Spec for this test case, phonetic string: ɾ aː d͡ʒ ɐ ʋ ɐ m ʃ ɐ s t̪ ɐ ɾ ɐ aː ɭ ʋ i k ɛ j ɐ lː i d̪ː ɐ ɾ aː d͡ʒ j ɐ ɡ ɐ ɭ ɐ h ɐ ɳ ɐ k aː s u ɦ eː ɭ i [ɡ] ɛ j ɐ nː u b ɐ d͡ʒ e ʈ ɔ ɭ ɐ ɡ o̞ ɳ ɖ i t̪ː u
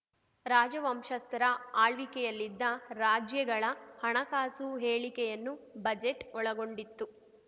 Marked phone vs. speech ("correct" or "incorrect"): incorrect